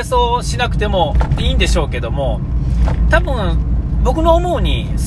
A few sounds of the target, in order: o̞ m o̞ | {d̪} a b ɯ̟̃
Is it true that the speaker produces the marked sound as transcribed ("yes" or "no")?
no